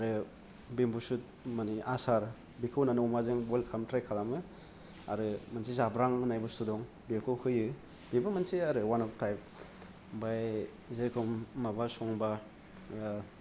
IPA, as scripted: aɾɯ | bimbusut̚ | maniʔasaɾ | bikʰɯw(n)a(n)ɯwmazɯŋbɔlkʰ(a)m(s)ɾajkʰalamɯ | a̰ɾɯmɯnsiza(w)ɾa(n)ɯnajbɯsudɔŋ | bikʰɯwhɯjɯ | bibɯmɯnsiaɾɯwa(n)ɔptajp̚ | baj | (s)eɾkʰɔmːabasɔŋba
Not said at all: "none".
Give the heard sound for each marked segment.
n, n, a, t, b, ŋ, n, z

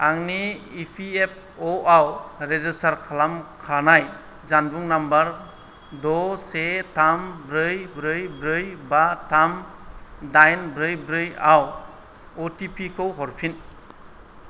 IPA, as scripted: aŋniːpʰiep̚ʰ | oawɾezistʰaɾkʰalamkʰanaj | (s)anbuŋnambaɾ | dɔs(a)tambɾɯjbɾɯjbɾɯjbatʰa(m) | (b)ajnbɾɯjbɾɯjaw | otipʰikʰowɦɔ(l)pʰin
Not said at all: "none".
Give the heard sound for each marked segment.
z, e, m, d, ɾ

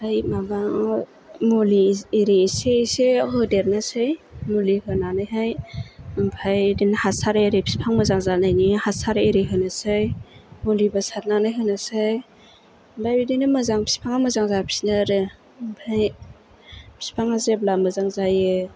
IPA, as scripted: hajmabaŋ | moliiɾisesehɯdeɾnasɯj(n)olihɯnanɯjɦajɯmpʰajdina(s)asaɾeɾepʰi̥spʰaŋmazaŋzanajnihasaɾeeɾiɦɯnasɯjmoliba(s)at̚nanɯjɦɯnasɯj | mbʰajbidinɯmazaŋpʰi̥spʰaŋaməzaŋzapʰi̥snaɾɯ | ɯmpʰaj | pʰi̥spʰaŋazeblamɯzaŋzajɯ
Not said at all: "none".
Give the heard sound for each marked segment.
m, h, s

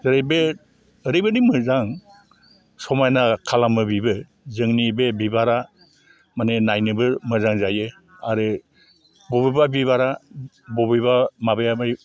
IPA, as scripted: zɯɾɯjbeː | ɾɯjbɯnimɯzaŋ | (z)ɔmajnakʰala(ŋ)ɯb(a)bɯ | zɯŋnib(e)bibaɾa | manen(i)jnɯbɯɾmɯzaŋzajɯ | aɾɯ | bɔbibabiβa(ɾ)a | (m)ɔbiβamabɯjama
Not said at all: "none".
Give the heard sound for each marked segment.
s, m, i, e, a, ɾ, b

